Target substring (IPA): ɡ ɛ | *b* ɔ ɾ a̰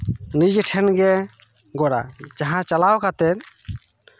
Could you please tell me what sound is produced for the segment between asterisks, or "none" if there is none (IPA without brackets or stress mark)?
ɡ